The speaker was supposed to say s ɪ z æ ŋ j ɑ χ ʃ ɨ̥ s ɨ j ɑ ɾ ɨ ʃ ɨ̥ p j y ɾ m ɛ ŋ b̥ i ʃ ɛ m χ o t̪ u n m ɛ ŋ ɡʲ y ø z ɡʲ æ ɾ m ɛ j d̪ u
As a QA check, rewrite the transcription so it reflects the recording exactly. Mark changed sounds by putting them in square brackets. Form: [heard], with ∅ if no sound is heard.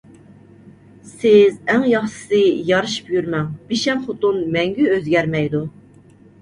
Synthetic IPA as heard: s ɪ z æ ŋ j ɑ χ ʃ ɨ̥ s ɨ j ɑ ɾ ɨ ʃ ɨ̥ p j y ɾ m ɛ ŋ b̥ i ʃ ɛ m χ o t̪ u n m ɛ ŋ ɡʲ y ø z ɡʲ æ ɾ m ɛ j d̪ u